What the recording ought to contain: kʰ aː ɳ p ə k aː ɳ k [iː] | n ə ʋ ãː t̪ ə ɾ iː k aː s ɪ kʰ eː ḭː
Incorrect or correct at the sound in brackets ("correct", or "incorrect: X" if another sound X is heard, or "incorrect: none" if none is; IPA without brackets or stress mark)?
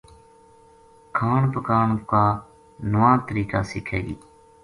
incorrect: aː